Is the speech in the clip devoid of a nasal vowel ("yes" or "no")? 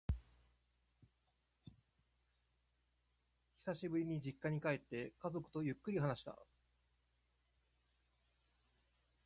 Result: yes